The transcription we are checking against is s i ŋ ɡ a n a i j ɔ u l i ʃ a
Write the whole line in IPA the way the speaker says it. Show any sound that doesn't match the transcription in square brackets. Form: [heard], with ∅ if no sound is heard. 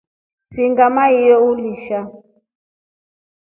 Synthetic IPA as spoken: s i ŋ ɡ a [m] a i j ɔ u l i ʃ a